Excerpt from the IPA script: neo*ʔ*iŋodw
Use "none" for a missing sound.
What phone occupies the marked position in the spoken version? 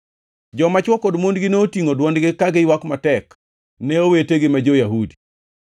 t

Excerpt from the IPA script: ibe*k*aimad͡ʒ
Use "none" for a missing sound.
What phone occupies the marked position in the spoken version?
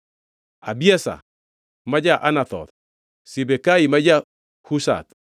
k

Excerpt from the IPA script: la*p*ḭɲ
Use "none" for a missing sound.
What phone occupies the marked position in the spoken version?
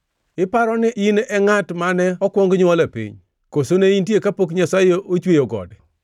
p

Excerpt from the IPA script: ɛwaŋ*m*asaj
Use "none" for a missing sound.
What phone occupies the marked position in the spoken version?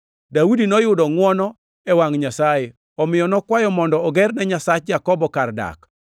ɲ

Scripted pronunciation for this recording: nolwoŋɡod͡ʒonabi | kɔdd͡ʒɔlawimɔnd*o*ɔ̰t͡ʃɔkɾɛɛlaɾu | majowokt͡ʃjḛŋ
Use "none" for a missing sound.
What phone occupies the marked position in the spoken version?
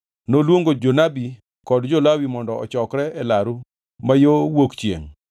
ɔ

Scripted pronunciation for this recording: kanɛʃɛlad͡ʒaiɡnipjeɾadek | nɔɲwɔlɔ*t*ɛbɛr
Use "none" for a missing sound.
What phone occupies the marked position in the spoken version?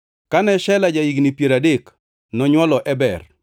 ʔ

